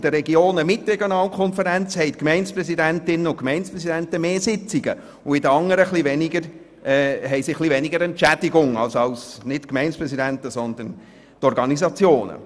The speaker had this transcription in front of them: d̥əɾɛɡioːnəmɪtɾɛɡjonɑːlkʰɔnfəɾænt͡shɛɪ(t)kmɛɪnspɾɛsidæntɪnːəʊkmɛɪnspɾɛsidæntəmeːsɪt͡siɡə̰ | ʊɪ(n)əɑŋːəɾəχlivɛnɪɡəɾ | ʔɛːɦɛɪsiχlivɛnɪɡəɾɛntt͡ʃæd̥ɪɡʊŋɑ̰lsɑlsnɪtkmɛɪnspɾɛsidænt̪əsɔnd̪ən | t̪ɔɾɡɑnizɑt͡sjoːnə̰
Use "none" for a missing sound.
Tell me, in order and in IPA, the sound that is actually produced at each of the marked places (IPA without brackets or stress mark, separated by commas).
t, d